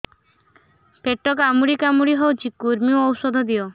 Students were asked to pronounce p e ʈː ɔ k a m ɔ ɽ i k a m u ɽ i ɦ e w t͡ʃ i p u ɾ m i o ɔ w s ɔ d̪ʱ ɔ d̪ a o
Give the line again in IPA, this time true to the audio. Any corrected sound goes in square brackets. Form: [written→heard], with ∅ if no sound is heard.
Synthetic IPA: p e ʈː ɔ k a m [ɔ→u] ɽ i k a m u ɽ i ɦ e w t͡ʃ i [p→k] u ɾ m i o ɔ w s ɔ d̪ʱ ɔ d̪ [a→i] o